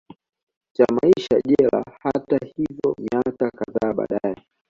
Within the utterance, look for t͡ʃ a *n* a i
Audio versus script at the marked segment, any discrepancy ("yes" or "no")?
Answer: yes